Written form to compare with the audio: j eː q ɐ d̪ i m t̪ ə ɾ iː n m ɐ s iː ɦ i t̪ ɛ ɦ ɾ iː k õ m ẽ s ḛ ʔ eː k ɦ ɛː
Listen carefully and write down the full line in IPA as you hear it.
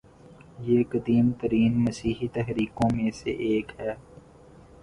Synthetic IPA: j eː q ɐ d̪ iː m t̪ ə ɾ iː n m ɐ s iː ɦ i t̪ ɛ ɦ ɾ iː k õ m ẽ s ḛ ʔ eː k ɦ ɛː

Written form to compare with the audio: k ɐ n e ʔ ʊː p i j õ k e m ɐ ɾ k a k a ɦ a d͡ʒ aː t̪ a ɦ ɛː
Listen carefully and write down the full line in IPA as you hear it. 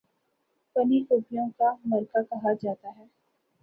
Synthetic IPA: p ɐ n i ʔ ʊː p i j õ k a m ɐ ɾ k a k ɐ ɦ a d͡ʒ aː t̪ a ɦ ɛː

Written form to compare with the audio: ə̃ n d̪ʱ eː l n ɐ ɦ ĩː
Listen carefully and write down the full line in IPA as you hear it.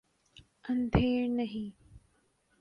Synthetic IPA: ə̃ n d̪ʱ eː ɾ n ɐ ɦ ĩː

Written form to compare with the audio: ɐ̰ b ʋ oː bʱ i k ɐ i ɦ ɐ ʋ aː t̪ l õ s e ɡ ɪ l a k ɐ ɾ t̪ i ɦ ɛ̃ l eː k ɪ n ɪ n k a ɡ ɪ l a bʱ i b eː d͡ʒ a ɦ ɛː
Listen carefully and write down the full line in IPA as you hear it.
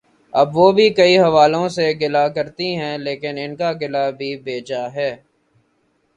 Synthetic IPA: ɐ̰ b ʋ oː bʱ i k ɐ i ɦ ɐ ʋ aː l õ s e ɡ ɪ l a k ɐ ɾ t̪ i ɦ ɛ̃ l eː k ɪ n ɪ n k a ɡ ɪ l a bʱ i b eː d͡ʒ a ɦ ɛː

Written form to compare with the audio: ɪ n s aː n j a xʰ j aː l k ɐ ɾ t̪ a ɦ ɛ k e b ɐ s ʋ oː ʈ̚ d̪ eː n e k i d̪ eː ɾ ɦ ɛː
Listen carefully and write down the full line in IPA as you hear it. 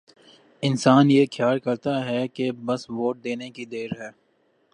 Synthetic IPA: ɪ n s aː n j e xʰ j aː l k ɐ ɾ t̪ a ɦ ɛ k e b ɐ s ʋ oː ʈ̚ d̪ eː n e k i d̪ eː ɾ ɦ ɛː

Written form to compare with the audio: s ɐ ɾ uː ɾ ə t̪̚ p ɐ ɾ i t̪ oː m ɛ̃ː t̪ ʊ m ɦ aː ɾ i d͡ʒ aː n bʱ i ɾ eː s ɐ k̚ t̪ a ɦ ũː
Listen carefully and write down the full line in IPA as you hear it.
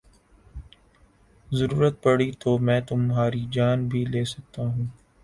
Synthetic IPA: z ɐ ɾ uː ɾ ə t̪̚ p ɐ ɽ i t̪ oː m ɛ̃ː t̪ ʊ m ɦ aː ɾ i d͡ʒ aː n bʱ i l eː s ɐ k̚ t̪ a ɦ ũː

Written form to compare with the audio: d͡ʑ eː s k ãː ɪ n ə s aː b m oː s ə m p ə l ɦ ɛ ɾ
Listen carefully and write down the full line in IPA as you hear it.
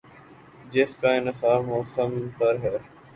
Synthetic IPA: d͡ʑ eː s k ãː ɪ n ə s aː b m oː s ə m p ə ɾ ɦ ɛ ɾ

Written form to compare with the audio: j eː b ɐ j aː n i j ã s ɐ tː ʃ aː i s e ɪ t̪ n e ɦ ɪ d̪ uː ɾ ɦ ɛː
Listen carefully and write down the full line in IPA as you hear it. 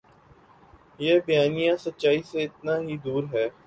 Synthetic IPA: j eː b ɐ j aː n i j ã s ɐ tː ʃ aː i s e ɪ t̪ n a ɦ i d̪ uː ɾ ɦ ɛː

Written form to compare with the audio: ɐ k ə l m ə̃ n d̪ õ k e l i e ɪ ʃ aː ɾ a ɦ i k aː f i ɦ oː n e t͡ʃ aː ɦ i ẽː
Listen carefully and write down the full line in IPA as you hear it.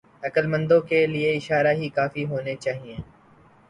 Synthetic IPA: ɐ k ə l m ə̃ n d̪ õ k e l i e ɪ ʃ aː ɾ a ɦ i k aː f i ɦ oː n e t͡ʃ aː ɦ i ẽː

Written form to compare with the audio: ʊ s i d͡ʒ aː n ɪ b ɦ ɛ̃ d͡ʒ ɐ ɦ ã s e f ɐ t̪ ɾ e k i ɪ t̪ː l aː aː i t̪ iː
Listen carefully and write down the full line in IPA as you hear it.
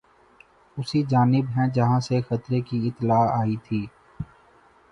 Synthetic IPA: ʊ s i d͡ʒ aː n ɪ b ɦ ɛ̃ d͡ʒ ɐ ɦ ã s e x ɐ t̪ ɾ e k i ɪ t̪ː l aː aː i t̪ʰ iː

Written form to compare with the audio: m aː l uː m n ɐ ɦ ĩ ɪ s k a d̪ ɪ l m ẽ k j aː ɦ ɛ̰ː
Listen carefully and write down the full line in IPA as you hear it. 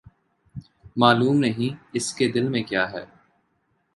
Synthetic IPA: m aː l uː m n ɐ ɦ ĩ ɪ s k e d̪ ɪ l m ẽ k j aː ɦ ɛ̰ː

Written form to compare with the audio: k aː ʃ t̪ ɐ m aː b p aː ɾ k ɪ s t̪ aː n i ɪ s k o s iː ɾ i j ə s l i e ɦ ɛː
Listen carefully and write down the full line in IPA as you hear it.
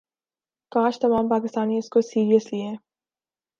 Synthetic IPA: k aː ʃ t̪ ɐ m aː m p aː k ɪ s t̪ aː n i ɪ s k o s iː ɾ i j ə s l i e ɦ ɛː

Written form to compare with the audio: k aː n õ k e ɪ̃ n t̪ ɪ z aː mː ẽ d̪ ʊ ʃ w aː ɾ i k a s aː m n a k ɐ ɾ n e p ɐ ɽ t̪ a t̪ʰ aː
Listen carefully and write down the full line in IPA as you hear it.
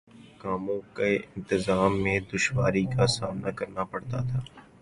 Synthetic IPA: k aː m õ k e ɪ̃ n t̪ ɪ z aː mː ẽ d̪ ʊ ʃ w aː ɾ i k a s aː m n a k ɐ ɾ n a p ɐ ɽ t̪ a t̪ʰ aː

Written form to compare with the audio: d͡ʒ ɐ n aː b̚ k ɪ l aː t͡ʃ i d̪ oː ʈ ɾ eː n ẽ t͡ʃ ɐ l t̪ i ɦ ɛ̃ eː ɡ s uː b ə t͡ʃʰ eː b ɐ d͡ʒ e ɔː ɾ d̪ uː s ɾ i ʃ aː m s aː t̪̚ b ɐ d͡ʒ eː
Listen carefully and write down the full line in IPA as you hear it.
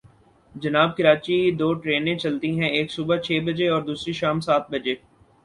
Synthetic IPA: d͡ʒ ɐ n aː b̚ k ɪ ɾ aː t͡ʃ i d̪ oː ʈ ɾ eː n ẽ t͡ʃ ɐ l t̪ i ɦ ɛ̃ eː k s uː b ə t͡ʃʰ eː b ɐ d͡ʒ e ɔː ɾ d̪ uː s ɾ i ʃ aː m s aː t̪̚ b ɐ d͡ʒ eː

